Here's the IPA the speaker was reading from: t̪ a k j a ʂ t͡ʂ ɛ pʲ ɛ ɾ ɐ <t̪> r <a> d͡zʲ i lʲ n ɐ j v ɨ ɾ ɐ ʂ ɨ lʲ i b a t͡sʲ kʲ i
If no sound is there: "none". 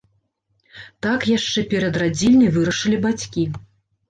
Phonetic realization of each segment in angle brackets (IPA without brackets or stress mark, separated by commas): d̪, a